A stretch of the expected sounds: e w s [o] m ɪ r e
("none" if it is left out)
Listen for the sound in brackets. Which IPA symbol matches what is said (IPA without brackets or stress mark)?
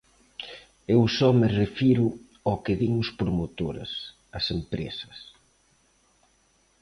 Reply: ɔ